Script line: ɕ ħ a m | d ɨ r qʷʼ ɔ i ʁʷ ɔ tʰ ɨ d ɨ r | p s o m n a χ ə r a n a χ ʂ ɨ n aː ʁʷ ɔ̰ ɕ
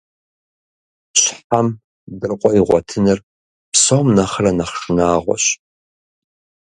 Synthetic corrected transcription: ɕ ħ a m | d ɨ r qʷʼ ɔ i ʁʷ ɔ tʰ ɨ n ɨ r | p s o m n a χ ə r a n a χ ʂ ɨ n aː ʁʷ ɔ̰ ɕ